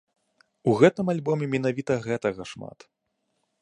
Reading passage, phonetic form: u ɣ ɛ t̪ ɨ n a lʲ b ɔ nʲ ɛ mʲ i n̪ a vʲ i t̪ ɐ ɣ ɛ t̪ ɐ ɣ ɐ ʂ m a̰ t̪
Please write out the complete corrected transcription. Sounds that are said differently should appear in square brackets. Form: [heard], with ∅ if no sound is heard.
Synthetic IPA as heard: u ɣ ɛ t̪ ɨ [m] a lʲ b ɔ [mʲ] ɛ mʲ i n̪ a vʲ i t̪ ɐ ɣ ɛ t̪ ɐ ɣ ɐ ʂ m a̰ t̪